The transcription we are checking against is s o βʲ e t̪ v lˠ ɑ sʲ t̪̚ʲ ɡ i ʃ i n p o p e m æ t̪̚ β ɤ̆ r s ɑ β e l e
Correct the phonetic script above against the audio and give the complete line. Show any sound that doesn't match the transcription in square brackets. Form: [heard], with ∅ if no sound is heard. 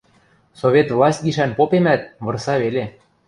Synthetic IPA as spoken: s o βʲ e t̪ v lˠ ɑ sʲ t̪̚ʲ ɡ i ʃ [æ] n p o p e m æ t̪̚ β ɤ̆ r s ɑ β e l e